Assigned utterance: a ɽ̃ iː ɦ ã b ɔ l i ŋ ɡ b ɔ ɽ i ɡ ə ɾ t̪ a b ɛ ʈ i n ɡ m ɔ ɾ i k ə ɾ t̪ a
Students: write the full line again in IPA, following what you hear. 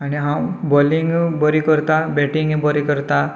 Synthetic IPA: a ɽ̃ i ɦ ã b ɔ l i ŋ ɡ b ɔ ɾ i k ə ɾ t̪ a b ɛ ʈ i ŋ ɡ b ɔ ɾ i k ə ɾ t̪ a